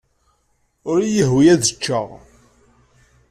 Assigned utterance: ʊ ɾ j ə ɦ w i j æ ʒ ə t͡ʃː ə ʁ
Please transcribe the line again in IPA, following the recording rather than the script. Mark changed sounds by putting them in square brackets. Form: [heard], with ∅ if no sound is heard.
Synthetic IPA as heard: ʊ ɾ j ə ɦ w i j æ [ð] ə t͡ʃː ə ʁ